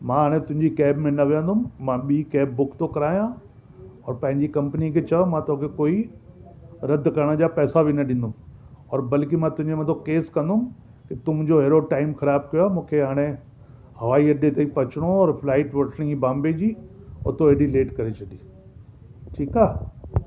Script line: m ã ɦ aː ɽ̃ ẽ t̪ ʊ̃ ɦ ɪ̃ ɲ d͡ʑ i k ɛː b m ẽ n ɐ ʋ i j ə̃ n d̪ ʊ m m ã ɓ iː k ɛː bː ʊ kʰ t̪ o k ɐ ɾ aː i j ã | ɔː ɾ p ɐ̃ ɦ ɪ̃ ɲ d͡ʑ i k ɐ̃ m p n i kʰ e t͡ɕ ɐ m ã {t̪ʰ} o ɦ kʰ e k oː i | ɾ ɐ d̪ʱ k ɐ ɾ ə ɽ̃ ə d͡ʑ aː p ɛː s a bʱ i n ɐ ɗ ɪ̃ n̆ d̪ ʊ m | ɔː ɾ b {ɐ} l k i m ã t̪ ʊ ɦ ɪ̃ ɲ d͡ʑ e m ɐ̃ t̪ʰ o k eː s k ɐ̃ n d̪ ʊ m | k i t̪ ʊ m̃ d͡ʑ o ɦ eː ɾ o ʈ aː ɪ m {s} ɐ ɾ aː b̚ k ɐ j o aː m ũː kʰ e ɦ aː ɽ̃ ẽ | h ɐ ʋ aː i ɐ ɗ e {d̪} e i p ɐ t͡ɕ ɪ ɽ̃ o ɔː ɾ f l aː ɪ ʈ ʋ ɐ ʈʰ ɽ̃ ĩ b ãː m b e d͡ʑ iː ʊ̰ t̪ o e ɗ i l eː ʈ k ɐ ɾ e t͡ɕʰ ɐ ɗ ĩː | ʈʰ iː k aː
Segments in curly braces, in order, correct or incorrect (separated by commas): incorrect, correct, incorrect, incorrect